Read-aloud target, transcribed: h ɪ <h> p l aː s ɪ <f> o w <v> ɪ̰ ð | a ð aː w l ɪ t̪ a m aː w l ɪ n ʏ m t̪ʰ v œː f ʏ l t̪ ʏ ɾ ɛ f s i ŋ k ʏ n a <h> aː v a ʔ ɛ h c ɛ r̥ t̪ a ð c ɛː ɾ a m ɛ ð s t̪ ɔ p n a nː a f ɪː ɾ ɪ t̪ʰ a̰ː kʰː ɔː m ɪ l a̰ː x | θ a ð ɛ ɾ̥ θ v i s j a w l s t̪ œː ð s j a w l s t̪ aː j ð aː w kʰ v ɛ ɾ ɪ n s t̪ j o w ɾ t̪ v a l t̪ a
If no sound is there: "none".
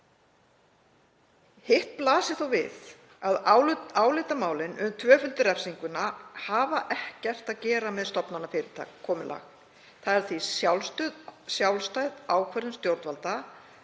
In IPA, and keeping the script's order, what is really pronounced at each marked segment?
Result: h, θ, v, h

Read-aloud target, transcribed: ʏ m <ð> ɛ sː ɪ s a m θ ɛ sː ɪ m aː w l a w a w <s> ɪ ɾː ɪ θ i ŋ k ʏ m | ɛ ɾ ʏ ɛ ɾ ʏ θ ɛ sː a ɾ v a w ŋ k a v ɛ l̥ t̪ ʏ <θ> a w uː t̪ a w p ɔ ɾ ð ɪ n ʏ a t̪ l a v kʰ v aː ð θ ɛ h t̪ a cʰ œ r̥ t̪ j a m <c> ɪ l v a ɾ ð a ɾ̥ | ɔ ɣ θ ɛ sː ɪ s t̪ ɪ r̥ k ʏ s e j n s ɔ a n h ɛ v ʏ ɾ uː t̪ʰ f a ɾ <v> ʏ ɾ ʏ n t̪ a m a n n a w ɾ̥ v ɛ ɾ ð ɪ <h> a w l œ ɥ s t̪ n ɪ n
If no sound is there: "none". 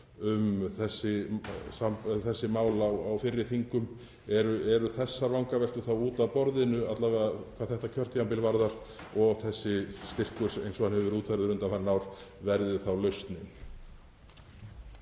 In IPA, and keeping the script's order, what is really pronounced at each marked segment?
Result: θ, f, θ, p, ð, θ

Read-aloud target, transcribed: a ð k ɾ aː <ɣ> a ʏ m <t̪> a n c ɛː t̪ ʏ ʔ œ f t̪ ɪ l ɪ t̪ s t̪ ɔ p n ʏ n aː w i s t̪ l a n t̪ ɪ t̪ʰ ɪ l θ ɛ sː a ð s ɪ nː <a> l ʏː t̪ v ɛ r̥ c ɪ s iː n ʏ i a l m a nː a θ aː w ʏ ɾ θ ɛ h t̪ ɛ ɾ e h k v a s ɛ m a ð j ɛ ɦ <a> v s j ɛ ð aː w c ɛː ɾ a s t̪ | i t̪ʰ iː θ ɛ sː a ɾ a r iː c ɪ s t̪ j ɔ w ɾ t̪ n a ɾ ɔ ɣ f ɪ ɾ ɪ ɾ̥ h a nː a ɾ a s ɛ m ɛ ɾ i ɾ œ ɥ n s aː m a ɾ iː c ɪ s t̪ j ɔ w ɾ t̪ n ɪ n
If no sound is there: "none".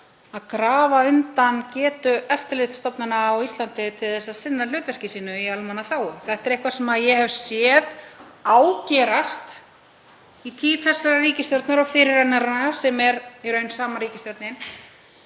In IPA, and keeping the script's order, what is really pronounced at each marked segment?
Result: v, t̪, a, ɛ

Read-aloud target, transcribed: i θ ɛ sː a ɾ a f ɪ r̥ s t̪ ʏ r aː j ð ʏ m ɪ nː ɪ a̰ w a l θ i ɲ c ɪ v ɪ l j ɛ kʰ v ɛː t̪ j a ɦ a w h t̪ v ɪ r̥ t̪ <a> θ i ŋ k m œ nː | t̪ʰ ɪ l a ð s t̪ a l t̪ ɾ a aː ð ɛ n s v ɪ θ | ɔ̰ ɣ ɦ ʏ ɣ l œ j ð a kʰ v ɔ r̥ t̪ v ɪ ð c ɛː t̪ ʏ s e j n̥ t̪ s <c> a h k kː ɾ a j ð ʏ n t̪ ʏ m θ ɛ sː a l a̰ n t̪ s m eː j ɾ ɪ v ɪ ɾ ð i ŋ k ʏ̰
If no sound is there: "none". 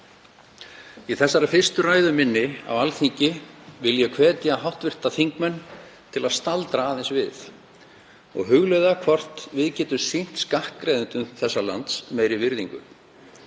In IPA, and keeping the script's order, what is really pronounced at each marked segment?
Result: a, k

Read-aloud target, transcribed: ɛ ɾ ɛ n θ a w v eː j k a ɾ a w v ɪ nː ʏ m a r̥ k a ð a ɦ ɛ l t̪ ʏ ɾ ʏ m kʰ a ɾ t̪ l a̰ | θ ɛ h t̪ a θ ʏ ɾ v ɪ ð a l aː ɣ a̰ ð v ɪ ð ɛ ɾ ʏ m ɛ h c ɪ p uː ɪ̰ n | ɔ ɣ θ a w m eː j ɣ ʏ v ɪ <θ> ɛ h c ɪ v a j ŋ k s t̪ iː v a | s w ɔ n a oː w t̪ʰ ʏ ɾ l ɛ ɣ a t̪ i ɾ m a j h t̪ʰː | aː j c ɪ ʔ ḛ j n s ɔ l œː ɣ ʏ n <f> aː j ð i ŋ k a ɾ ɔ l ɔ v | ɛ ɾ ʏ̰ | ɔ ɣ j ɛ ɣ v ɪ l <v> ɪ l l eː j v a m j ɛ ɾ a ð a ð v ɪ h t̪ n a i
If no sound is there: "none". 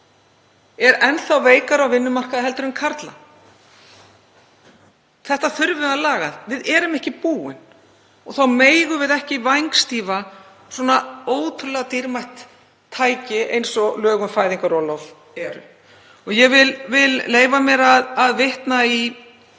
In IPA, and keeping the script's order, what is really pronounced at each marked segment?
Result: ð, f, v

